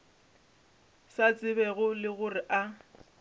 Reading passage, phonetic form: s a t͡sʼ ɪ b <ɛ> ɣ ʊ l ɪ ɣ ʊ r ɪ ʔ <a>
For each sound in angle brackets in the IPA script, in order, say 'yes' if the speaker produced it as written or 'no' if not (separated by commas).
yes, yes